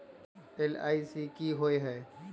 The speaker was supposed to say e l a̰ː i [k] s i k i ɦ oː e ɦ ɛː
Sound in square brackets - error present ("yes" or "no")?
yes